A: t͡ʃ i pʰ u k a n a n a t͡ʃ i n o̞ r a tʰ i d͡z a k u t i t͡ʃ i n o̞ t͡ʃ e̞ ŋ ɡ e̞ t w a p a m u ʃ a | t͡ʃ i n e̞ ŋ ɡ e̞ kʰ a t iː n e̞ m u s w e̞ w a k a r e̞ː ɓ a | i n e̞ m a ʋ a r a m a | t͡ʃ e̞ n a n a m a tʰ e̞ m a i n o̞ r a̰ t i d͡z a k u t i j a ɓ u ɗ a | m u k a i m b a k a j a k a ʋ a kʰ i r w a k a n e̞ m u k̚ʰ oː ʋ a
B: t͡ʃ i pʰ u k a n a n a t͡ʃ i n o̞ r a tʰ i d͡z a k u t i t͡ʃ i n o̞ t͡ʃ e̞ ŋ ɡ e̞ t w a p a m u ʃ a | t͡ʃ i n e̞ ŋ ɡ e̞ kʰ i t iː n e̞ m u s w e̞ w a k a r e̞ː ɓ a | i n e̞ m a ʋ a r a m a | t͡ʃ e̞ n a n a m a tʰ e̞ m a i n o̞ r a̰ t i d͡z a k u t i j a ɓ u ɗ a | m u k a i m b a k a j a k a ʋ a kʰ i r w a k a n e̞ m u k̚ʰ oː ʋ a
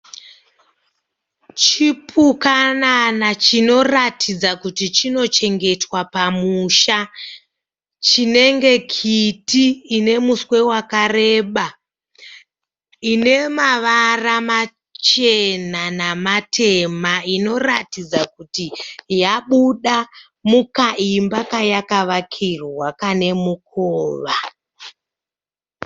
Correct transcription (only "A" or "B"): B